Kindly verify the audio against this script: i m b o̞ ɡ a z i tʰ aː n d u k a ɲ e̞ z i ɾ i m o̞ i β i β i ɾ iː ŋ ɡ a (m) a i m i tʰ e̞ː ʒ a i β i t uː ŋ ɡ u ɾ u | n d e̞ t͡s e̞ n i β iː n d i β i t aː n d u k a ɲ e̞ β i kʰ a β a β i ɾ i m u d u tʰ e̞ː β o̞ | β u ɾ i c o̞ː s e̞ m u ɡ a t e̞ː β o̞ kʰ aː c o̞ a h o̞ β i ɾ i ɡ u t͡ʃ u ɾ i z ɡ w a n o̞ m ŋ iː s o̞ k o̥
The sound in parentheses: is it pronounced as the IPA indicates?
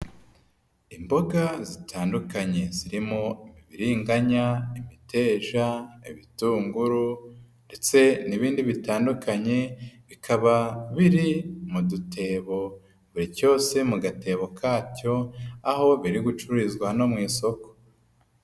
no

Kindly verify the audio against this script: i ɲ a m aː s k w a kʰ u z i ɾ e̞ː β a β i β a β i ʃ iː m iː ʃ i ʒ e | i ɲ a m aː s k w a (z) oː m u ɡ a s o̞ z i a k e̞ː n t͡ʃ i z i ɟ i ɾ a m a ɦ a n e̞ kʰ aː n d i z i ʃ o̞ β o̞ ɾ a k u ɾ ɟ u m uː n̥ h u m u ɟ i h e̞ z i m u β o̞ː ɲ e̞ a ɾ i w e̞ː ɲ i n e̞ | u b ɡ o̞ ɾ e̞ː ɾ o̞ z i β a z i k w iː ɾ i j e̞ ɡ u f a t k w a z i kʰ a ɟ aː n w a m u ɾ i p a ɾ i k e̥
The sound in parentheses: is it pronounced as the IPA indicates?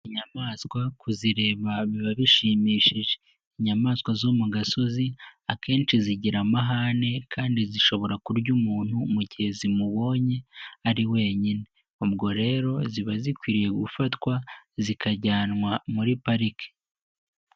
yes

